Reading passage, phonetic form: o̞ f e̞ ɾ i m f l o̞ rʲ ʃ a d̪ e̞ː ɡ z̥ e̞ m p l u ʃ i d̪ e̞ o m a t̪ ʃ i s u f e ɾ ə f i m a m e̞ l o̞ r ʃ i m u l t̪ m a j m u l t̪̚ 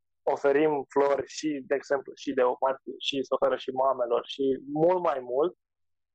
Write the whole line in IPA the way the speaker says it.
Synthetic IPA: o̞ f e̞ ɾ i m f l o̞ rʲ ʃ i d̪ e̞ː ɡ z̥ e̞ m p l u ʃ i d̪ e̞ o m a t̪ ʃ i s o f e ɾ ə ʃ i m a m e̞ l o̞ r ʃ i m u l t̪ m a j m u l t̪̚